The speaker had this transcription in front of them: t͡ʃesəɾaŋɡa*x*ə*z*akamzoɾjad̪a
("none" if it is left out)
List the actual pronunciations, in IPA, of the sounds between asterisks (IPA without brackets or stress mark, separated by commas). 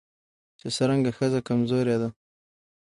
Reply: x, z